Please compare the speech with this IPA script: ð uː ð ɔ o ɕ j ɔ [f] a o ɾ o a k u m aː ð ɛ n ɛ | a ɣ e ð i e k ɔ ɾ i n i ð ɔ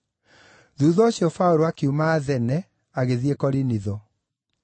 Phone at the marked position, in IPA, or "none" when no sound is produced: f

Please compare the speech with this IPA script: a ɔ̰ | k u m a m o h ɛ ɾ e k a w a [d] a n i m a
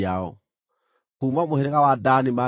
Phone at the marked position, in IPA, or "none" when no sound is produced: d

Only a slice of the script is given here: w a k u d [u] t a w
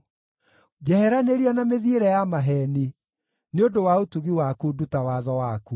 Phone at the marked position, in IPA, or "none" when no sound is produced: u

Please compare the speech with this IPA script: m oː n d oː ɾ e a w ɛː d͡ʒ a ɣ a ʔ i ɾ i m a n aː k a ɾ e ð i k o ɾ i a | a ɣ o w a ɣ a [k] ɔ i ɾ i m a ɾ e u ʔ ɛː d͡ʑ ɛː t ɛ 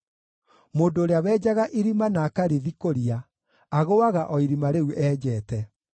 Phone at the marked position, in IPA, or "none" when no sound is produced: ʔ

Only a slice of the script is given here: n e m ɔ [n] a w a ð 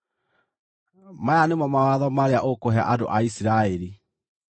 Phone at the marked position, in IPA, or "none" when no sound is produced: m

